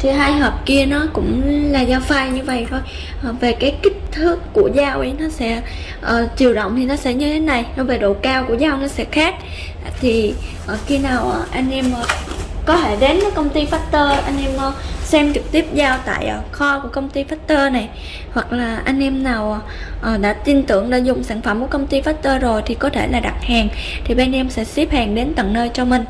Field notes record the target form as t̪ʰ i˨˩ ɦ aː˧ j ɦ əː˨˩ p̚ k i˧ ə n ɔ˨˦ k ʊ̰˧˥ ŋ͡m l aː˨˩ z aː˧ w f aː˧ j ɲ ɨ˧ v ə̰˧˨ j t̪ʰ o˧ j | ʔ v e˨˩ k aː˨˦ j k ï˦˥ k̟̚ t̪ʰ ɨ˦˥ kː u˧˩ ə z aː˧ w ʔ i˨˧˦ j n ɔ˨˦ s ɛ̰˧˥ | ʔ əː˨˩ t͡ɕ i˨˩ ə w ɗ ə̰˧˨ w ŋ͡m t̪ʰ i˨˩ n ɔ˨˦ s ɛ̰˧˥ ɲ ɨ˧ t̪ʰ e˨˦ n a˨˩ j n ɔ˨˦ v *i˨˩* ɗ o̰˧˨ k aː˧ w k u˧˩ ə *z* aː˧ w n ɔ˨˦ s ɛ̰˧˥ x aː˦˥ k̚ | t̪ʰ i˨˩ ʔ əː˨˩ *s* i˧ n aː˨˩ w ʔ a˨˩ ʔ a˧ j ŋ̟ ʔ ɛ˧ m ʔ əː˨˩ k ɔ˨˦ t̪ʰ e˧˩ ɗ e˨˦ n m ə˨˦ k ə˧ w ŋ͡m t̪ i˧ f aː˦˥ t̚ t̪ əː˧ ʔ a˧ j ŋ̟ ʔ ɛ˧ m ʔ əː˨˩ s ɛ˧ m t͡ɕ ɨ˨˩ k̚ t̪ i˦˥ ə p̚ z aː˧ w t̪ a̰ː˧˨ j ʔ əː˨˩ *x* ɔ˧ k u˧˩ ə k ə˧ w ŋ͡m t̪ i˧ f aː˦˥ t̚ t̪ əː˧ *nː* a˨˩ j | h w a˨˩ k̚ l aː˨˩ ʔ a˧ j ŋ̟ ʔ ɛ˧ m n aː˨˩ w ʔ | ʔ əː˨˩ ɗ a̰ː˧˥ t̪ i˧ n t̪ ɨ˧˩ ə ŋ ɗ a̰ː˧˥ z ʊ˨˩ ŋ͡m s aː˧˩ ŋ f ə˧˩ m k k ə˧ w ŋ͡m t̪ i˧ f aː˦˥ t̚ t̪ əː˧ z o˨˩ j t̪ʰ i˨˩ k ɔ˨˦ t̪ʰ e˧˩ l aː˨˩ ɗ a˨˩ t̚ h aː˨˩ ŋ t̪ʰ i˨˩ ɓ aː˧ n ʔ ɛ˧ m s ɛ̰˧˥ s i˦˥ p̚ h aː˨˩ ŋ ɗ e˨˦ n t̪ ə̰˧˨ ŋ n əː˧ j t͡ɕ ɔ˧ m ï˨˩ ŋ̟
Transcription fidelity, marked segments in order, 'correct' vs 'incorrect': incorrect: e˨˩, correct, incorrect: x, correct, incorrect: n

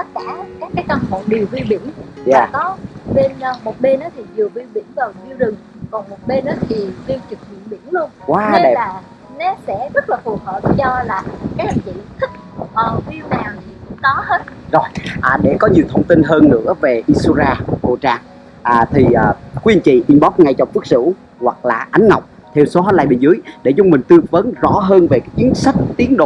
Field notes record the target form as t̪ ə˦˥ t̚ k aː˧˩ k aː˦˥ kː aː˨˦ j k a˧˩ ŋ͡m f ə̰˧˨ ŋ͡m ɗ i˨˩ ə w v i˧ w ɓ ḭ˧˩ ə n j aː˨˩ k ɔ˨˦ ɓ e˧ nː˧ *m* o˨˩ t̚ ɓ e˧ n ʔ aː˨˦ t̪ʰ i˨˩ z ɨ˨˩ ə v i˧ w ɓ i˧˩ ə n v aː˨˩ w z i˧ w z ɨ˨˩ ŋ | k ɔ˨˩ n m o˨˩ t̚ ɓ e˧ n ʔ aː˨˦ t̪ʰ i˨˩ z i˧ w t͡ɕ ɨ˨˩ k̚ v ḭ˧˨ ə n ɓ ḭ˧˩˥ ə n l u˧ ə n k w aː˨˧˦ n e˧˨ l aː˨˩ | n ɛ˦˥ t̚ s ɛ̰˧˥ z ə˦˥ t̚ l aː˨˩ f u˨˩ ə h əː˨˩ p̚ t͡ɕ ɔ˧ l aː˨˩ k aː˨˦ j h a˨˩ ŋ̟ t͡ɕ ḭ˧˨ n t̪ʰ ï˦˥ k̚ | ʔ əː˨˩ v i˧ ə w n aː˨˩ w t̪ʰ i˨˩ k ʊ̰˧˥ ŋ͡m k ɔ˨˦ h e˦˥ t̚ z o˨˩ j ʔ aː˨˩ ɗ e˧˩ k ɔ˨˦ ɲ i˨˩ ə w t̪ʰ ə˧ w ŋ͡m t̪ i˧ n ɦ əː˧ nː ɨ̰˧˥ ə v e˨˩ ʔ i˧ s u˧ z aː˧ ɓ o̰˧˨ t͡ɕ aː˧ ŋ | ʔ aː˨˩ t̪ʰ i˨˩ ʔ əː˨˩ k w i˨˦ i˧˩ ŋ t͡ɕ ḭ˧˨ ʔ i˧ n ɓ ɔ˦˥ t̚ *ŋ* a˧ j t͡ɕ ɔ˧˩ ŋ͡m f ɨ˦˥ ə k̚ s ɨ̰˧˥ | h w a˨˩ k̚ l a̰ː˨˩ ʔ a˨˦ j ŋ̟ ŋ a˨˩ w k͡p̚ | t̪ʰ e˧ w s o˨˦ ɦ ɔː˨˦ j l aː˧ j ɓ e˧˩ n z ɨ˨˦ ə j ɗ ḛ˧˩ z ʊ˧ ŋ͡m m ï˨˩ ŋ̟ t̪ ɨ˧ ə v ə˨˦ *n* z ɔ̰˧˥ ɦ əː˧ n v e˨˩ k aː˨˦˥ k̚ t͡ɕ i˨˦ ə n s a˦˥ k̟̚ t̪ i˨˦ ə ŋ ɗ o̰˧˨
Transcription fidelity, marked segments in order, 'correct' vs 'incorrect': correct, correct, correct

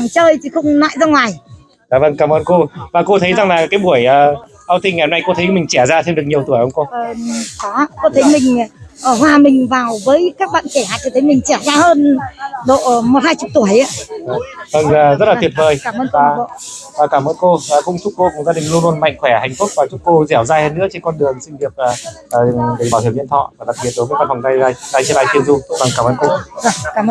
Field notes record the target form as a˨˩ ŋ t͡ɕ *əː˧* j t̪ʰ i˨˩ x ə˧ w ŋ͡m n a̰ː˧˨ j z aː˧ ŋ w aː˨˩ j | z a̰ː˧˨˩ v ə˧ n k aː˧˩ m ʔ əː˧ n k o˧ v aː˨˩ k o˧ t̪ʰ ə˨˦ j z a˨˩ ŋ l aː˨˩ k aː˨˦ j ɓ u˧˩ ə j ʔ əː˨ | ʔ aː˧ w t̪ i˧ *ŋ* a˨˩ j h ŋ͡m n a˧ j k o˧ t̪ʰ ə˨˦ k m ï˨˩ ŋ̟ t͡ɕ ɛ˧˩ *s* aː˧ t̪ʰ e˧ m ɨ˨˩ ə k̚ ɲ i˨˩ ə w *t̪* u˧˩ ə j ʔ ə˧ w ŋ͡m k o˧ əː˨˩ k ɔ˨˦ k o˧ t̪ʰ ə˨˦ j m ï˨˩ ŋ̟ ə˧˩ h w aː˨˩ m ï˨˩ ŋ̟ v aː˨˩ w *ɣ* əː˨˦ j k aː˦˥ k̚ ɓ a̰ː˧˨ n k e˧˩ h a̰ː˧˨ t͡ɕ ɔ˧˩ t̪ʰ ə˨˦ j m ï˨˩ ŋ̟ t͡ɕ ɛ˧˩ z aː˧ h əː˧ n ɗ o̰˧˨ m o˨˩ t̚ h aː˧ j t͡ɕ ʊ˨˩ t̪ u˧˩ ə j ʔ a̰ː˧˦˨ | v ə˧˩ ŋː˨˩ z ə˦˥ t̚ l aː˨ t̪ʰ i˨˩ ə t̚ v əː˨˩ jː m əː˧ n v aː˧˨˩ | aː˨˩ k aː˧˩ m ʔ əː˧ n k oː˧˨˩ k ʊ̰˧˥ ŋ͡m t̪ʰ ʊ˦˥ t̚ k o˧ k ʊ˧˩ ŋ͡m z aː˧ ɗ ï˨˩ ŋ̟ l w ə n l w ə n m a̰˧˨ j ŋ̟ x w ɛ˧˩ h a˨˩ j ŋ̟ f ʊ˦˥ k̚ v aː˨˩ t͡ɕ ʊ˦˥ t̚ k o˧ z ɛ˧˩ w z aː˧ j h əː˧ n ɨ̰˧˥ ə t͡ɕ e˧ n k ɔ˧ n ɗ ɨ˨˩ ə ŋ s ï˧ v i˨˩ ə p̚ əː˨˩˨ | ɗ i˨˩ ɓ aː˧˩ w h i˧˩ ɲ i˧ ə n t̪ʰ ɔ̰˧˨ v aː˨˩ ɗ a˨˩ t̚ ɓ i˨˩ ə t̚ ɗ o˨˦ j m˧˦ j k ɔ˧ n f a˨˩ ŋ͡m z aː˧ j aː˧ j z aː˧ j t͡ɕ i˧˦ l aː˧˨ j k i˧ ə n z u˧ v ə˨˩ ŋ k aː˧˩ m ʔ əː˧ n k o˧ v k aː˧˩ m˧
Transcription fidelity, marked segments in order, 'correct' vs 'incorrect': correct, correct, incorrect: z, correct, incorrect: v

